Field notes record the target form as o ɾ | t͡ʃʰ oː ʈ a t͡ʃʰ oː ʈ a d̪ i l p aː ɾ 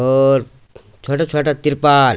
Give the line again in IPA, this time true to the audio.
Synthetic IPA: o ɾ | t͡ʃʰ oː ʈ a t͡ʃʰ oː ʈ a t̪ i ɾ p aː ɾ